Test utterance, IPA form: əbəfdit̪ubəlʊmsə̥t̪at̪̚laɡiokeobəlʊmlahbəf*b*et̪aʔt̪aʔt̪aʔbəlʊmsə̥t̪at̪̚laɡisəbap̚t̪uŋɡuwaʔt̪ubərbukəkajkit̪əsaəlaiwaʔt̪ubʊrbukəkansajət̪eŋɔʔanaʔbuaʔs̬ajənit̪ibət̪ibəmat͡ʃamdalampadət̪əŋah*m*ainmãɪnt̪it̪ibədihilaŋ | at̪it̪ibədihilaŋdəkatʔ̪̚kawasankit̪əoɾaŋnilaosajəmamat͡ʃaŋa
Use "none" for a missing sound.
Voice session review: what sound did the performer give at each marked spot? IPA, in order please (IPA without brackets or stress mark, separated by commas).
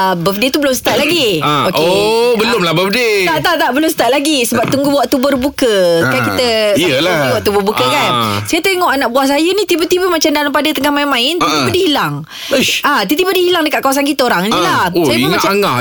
d, m